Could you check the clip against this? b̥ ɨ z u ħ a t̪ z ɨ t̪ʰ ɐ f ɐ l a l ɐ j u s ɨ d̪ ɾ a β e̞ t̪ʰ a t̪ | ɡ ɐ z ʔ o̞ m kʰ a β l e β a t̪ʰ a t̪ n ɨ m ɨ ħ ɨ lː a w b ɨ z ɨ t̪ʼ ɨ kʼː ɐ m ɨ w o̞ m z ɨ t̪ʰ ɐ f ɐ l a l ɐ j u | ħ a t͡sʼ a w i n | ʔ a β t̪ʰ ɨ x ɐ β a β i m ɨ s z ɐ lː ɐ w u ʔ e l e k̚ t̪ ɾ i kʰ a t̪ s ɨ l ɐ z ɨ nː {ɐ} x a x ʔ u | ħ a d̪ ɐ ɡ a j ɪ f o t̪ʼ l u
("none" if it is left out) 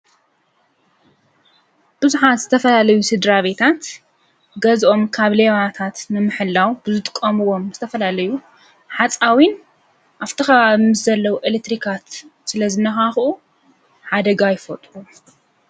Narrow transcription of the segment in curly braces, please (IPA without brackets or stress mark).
ɐ